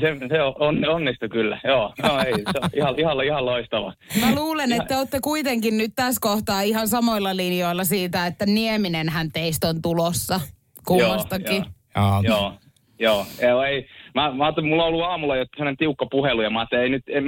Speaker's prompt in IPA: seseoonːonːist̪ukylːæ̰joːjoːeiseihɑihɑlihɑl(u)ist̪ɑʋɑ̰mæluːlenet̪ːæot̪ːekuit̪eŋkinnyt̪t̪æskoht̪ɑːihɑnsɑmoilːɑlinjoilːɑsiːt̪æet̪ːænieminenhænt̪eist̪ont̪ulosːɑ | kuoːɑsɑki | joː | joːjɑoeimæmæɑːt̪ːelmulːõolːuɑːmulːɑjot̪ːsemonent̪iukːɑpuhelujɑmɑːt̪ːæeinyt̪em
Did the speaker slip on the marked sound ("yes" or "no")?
yes